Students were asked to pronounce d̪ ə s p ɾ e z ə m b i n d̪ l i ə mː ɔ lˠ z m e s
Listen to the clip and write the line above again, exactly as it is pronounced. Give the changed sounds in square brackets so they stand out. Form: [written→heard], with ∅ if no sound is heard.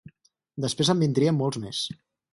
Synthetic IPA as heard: d̪ ə s p ɾ e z ə m b i n d̪ [l→ɾ] i ə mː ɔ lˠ z m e s